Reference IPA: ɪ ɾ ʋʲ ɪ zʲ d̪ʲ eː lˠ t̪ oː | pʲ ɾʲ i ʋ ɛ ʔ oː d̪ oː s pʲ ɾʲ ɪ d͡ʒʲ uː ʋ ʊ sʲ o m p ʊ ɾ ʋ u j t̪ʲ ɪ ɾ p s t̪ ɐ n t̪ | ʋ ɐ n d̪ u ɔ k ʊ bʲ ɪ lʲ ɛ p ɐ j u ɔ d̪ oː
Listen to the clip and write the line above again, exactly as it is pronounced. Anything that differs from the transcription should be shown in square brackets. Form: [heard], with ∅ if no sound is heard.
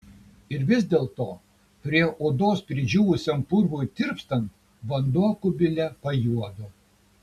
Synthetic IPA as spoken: ɪ ɾ ʋʲ ɪ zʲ d̪ʲ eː lˠ t̪ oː | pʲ ɾʲ i [∅] ɛ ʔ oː d̪ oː s pʲ ɾʲ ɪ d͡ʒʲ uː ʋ ʊ sʲ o m p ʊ ɾ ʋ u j t̪ʲ ɪ ɾ p s t̪ ɐ n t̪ | ʋ ɐ n d̪ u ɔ k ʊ bʲ ɪ lʲ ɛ p ɐ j u ɔ d̪ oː